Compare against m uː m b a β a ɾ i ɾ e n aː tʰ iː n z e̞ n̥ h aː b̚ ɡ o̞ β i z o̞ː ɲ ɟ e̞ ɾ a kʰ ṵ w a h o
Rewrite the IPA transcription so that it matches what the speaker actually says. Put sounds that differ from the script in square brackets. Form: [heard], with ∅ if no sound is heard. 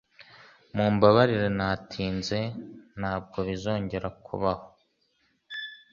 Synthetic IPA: m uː m b a β a ɾ i ɾ e n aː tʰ iː n z e̞ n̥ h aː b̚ ɡ o̞ β i z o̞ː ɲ ɟ e̞ ɾ a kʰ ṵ [β] a h o